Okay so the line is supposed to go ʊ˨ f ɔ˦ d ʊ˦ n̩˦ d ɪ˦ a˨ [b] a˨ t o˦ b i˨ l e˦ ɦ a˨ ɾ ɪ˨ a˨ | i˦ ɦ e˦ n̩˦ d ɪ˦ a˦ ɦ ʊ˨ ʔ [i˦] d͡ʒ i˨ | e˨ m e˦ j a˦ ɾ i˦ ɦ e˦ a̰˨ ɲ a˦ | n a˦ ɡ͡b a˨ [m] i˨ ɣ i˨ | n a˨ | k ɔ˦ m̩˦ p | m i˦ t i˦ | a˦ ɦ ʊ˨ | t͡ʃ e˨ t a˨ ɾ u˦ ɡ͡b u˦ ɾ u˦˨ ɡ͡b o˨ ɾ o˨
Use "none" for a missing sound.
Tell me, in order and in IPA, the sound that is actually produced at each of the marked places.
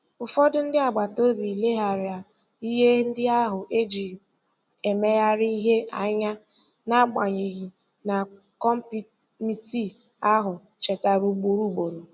ɡ͡b, e˦, ɲ

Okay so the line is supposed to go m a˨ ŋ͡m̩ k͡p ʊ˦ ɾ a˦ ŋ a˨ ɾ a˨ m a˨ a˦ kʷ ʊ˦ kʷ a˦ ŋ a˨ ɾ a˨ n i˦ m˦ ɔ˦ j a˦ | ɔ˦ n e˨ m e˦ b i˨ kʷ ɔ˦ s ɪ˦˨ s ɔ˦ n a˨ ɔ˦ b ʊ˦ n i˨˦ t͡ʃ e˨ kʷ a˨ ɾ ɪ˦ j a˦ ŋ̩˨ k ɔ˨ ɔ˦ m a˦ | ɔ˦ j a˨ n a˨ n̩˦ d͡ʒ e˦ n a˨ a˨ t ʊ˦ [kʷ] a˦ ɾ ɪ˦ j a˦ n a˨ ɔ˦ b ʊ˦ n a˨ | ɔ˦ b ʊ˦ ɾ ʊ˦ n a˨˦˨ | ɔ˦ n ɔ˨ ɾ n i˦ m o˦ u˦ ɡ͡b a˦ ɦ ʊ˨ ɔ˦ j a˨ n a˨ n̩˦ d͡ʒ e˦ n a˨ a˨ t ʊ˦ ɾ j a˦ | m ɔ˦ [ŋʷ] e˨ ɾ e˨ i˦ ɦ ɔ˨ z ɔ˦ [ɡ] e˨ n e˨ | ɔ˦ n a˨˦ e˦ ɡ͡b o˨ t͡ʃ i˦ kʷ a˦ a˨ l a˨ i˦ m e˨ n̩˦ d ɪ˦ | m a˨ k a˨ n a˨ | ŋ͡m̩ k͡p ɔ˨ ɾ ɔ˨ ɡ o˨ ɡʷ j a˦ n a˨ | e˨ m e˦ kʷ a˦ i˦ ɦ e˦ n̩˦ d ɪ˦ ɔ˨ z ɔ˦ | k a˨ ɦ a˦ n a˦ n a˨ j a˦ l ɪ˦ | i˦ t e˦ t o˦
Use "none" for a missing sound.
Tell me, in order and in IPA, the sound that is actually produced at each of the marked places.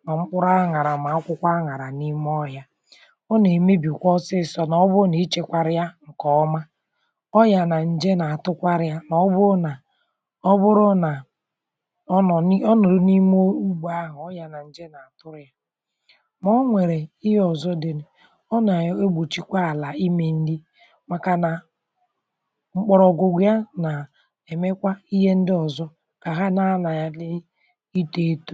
kʷ, ŋʷ, d

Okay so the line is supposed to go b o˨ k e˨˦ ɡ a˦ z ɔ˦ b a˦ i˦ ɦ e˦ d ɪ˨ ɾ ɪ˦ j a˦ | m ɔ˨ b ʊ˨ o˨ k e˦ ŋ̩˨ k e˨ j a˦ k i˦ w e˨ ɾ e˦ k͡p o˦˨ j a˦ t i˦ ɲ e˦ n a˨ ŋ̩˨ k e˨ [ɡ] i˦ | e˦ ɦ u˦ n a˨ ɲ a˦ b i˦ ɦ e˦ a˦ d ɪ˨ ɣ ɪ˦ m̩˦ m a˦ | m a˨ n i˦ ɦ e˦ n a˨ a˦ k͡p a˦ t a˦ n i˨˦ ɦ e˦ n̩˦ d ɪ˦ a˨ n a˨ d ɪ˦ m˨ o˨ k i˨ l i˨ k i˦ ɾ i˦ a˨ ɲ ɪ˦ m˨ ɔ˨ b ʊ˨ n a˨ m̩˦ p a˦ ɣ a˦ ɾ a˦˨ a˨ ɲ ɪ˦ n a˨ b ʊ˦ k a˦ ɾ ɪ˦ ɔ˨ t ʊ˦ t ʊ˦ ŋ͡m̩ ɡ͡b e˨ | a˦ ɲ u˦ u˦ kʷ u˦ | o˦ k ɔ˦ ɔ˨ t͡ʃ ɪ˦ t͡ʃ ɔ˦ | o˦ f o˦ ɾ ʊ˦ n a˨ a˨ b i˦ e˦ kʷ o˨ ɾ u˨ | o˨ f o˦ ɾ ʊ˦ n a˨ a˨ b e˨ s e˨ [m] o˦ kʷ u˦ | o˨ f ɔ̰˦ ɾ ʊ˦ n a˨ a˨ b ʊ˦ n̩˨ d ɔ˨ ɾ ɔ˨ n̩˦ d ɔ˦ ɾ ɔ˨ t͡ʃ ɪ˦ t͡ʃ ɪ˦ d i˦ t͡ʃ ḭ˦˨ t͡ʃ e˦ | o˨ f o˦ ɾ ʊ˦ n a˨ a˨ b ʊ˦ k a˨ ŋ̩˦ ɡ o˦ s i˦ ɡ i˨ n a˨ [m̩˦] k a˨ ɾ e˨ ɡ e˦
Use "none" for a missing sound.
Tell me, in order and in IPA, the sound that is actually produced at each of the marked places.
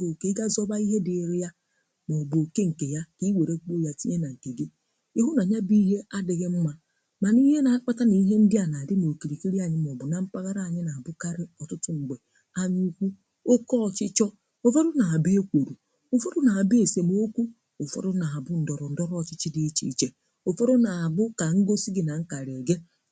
ɡ, m, ŋ̩˦

